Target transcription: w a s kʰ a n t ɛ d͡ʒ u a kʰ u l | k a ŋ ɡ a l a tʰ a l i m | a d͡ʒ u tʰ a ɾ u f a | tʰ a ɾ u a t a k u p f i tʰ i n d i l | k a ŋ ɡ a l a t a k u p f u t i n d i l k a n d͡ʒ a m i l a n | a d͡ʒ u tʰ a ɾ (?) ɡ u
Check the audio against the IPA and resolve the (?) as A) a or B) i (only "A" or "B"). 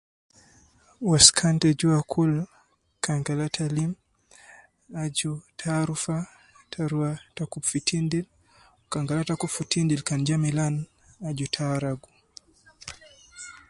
A